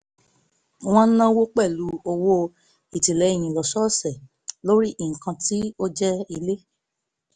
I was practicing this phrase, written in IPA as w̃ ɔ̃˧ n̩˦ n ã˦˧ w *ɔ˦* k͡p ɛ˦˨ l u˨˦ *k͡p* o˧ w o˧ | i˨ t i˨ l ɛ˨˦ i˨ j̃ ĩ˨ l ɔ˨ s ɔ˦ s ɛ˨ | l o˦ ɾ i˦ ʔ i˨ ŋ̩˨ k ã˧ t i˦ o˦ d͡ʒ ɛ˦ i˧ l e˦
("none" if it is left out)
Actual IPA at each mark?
o˦, none

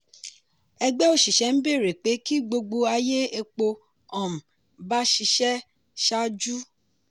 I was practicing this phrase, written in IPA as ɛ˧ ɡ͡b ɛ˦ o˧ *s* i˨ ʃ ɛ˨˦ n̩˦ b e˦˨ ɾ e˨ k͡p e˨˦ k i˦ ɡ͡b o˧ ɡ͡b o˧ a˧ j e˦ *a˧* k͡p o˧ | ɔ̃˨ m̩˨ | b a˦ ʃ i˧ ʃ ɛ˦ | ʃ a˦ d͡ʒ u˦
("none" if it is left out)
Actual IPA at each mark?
ʃ, e˧

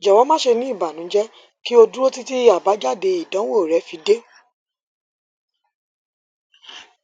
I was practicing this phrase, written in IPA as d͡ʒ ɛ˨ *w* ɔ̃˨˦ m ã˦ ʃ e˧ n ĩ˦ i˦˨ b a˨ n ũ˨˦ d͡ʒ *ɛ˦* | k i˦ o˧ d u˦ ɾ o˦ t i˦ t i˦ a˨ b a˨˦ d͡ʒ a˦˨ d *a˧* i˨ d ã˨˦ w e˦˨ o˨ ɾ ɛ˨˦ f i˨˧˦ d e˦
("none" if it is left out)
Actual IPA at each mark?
w, ɛ˦, e˧

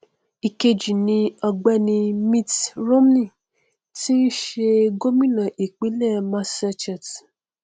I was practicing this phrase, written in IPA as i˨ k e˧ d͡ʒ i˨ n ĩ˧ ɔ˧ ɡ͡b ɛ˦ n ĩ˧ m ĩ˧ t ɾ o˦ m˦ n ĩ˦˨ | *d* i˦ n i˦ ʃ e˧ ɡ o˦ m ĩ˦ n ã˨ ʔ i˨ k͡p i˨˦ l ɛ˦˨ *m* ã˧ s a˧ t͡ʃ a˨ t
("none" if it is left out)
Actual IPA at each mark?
t, m

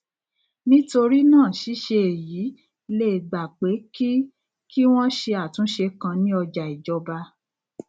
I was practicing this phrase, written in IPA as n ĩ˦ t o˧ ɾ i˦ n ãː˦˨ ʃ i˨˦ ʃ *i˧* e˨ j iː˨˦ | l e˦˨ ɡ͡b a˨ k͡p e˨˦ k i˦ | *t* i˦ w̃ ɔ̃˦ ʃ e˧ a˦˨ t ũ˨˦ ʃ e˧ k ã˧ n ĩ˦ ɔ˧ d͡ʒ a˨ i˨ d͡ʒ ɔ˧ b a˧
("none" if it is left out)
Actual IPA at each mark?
e˧, k

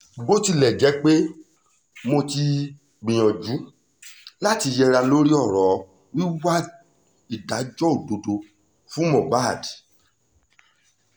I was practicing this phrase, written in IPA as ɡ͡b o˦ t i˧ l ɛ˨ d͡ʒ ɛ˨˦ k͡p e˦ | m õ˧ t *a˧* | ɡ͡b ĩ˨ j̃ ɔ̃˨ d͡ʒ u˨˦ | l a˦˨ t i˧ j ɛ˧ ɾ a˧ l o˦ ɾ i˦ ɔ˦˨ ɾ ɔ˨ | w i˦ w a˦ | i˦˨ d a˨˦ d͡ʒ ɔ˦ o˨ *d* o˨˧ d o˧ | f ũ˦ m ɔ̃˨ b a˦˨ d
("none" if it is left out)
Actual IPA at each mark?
i˧, d

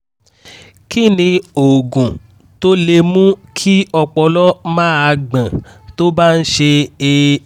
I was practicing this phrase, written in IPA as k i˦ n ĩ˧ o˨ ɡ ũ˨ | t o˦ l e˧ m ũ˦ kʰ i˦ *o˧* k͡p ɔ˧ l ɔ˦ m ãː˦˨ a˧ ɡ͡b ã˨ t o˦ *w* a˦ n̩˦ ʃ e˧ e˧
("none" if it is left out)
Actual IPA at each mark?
ɔ˧, b

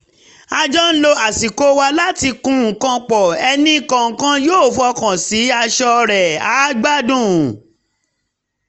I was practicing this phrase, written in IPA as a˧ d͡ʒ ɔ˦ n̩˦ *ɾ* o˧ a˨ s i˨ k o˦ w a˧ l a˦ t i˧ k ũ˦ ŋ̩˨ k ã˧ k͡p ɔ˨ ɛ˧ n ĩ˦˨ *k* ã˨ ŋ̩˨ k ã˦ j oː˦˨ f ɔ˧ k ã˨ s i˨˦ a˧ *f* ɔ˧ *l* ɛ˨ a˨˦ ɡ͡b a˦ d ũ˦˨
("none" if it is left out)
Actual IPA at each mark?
l, k, ʃ, ɾ

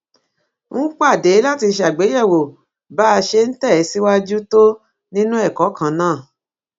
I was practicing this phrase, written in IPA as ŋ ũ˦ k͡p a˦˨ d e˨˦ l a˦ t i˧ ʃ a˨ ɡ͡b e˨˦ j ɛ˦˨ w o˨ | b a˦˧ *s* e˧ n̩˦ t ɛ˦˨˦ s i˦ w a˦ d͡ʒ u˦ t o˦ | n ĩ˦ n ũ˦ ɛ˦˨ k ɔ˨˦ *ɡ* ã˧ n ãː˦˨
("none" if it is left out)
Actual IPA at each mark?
ʃ, k

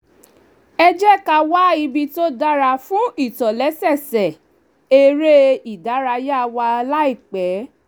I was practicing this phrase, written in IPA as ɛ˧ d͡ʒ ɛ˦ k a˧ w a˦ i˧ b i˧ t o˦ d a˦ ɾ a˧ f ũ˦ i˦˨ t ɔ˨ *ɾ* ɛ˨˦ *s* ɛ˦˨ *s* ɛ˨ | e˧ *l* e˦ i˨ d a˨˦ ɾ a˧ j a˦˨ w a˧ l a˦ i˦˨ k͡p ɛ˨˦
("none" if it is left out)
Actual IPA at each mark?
l, s, s, ɾ

